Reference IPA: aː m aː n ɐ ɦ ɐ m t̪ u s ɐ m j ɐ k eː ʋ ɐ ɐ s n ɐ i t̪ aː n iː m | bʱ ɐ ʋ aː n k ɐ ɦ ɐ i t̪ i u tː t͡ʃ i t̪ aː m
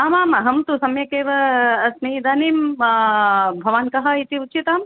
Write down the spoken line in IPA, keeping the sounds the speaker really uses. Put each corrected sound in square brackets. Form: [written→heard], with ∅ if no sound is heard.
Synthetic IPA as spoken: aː m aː [n→m] ɐ ɦ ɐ m t̪ u s ɐ m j ɐ k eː ʋ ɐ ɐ s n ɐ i [t̪→d̪] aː n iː m | bʱ ɐ ʋ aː n k ɐ ɦ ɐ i t̪ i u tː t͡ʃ i t̪ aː m

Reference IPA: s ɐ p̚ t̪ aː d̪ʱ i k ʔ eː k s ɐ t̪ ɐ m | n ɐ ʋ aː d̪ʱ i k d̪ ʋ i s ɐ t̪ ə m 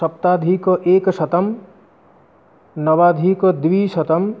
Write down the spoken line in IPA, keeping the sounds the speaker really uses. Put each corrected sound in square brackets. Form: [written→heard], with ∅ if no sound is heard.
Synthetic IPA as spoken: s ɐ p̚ t̪ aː d̪ʱ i k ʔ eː k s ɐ t̪ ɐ m | n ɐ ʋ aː d̪ʱ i k d̪ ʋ i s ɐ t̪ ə m

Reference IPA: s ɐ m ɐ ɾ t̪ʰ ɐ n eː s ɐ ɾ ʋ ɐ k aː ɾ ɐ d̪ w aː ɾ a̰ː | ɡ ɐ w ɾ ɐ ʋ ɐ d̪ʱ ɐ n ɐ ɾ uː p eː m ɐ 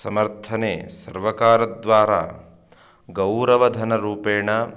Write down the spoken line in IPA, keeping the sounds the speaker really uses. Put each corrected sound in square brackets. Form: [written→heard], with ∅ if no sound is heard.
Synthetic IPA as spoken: s ɐ m ɐ ɾ t̪ʰ ɐ n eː s ɐ ɾ ʋ ɐ k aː ɾ ɐ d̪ [w→ʋ] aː ɾ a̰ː | ɡ ɐ w ɾ ɐ ʋ ɐ d̪ʱ ɐ n ɐ ɾ uː p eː [m→ɳ] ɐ

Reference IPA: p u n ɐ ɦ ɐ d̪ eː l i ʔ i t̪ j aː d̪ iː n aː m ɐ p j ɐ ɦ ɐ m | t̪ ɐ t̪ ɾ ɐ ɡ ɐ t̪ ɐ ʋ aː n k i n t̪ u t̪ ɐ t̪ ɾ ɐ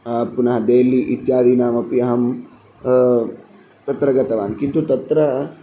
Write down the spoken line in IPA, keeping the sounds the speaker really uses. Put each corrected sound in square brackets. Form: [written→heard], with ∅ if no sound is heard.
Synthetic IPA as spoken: p u n ɐ ɦ ɐ d̪ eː l i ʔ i t̪ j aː d̪ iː n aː m ɐ p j ɐ ɦ ɐ m | t̪ ɐ t̪ ɾ ɐ ɡ ɐ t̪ ɐ ʋ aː n k i n t̪ u t̪ ɐ t̪ ɾ ɐ

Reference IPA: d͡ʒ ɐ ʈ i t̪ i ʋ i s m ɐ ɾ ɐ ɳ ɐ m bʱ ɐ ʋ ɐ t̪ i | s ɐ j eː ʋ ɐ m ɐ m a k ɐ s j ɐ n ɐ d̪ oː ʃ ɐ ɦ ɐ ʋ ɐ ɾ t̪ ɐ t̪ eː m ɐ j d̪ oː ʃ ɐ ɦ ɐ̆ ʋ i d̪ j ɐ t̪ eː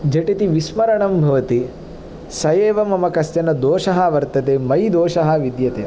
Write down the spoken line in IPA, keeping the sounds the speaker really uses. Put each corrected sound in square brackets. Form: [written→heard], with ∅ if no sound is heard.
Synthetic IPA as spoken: d͡ʒ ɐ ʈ i t̪ i ʋ i s m ɐ ɾ ɐ ɳ ɐ m bʱ ɐ ʋ ɐ t̪ i | s ɐ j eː ʋ ɐ m ɐ m [a→ɐ] k ɐ s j ɐ n ɐ d̪ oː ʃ ɐ ɦ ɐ ʋ ɐ ɾ t̪ ɐ t̪ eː m ɐ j d̪ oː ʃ ɐ ɦ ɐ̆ ʋ i d̪ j ɐ t̪ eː

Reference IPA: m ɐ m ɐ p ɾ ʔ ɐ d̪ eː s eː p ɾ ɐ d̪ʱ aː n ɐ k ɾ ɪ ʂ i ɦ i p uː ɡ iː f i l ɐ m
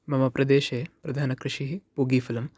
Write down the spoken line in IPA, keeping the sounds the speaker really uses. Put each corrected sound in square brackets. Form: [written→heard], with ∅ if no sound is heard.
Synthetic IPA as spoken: m ɐ m ɐ p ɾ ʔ ɐ d̪ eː [s→ʃ] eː p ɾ ɐ d̪ʱ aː n ɐ k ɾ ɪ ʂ i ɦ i p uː ɡ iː f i l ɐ m

